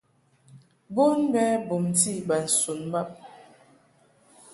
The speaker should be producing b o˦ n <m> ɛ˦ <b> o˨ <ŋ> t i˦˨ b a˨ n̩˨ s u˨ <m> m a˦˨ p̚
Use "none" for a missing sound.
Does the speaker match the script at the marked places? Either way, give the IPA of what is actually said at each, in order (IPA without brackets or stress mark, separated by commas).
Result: b, b, m, n